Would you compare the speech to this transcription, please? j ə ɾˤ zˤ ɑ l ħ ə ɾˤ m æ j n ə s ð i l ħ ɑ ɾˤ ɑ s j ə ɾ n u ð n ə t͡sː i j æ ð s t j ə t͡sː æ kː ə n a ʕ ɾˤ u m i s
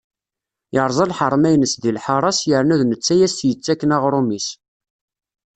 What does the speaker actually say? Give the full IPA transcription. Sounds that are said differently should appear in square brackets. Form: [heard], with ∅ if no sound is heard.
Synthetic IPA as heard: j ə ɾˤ zˤ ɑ l ħ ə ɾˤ m æ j n ə s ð i l ħ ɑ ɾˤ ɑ s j ə ɾ n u ð n ə t͡sː [æ] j æ [∅] s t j ə t͡sː æ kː ə n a [ʁ] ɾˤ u m i s